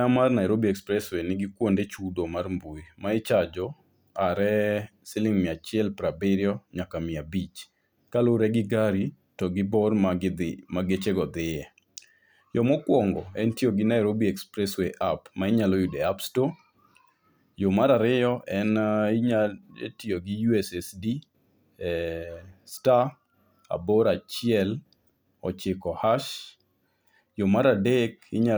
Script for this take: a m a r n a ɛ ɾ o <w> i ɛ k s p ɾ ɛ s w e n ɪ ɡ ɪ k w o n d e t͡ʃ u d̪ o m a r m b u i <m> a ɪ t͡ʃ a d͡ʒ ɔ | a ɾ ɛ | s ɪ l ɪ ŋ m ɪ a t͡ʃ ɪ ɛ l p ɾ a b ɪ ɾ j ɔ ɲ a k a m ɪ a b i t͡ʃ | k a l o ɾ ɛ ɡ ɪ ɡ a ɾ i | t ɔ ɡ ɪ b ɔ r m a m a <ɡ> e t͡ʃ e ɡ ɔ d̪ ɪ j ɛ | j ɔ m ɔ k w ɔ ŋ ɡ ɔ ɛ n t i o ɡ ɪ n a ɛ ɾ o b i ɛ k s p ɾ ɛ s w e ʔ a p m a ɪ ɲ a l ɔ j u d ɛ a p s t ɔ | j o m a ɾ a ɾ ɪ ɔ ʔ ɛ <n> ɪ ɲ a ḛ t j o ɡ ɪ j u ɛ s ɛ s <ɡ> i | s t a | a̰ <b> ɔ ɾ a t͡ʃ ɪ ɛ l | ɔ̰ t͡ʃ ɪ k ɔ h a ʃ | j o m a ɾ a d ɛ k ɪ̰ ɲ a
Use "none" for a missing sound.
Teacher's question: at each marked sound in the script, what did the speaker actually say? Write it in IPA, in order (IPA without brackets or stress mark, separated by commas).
b, m, ɡ, n, d, b